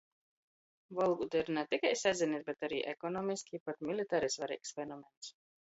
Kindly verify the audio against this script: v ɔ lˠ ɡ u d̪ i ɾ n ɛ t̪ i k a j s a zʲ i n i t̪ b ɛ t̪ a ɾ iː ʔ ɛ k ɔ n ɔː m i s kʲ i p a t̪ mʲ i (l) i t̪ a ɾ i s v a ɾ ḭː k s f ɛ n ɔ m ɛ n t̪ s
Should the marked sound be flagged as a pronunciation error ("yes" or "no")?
no